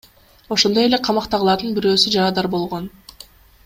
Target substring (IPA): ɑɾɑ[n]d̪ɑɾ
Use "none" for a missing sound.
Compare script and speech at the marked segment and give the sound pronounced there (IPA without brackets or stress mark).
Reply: none